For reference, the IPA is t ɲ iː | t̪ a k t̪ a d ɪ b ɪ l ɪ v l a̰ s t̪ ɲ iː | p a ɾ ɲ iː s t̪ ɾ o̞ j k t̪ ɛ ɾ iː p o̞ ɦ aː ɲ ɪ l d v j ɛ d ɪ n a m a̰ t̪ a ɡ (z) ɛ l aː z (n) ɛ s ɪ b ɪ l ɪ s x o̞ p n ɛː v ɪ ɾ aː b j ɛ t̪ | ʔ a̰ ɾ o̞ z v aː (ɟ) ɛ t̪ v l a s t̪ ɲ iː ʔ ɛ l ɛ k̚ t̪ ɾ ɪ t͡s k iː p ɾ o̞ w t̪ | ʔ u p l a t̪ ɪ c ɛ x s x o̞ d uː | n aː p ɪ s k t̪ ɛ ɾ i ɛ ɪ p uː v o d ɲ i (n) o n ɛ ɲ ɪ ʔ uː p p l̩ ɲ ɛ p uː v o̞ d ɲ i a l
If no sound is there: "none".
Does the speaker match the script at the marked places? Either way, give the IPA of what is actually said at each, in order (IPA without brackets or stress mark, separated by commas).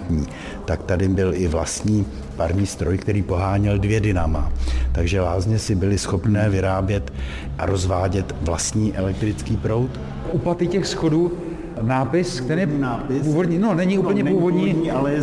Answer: ʒ, ɲ, ɟ, n